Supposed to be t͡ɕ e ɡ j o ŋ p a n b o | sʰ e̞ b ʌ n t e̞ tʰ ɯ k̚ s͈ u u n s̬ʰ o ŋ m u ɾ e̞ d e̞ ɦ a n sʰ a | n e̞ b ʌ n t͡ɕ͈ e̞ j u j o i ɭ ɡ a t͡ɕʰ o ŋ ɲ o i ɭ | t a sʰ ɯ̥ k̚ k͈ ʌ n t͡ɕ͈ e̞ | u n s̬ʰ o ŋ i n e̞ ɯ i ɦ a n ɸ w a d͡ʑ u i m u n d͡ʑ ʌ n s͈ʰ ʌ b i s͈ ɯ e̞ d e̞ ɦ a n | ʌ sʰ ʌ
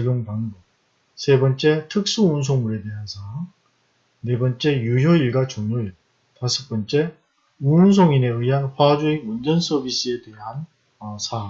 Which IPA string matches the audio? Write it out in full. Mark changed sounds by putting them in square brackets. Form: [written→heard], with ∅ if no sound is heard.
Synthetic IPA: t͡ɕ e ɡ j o ŋ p a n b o | sʰ e̞ b ʌ n [t→t͡ɕ͈] e̞ tʰ ɯ k̚ s͈ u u n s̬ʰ o ŋ m u ɾ e̞ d e̞ ɦ a n sʰ a | n e̞ b ʌ n t͡ɕ͈ e̞ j u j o i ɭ ɡ a [t͡ɕʰ→t͡ɕ] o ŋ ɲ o i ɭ | t a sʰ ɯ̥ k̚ [k͈→p͈] ʌ n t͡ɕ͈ e̞ | u n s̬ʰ o ŋ i n e̞ ɯ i ɦ a n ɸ w a d͡ʑ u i m u n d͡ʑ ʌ n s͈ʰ ʌ b i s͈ ɯ e̞ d e̞ ɦ a n | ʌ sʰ [ʌ→a]